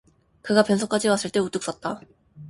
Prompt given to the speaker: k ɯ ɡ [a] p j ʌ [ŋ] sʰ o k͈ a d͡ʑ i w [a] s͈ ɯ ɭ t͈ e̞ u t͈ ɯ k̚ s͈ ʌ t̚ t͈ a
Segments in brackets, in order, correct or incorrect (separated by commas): correct, incorrect, correct